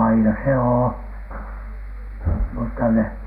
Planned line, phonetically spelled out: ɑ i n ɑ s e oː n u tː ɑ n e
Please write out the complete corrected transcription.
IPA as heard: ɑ i n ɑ s e oː m u tː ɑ n e